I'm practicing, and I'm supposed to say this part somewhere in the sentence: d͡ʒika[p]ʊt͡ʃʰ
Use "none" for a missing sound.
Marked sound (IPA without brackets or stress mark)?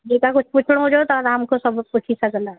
k